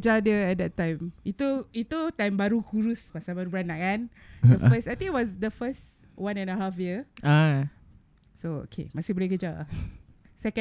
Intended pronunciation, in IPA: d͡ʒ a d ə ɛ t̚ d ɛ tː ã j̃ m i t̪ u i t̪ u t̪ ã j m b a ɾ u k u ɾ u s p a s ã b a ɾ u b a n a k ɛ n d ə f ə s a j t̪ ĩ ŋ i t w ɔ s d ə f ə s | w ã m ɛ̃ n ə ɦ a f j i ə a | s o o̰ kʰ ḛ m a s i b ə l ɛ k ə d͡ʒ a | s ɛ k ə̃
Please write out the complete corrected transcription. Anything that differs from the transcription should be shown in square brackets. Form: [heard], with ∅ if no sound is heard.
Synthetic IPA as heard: d͡ʒ a d ə ɛ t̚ d ɛ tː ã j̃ m i t̪ u i t̪ u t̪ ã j m b a ɾ u k u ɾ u s p a s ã b a ɾ u b a n a k [a] n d ə f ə s a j t̪ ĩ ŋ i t w ɔ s d ə f ə s | w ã [n] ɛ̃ n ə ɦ a f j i ə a | s o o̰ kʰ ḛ m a s i b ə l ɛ k ə d͡ʒ a | s ɛ k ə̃